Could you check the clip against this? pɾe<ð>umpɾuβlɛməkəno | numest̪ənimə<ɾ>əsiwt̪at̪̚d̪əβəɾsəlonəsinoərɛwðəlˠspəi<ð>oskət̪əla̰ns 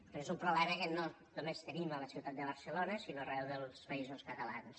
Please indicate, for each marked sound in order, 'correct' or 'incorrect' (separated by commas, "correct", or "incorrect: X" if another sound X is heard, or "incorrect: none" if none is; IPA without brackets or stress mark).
incorrect: z, incorrect: l, incorrect: z